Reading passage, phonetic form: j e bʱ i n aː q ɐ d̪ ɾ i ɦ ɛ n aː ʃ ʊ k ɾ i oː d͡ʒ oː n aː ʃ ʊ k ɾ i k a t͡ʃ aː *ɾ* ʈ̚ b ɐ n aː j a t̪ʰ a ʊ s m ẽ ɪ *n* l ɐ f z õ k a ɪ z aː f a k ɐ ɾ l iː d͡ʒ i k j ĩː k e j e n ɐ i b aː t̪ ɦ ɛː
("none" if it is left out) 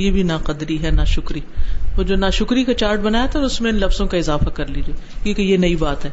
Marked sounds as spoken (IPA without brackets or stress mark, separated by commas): ɾ, n